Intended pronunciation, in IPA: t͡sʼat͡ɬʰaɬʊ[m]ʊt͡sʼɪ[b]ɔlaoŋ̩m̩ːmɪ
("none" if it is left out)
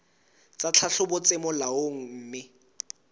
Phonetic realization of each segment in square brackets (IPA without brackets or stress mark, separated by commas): b, m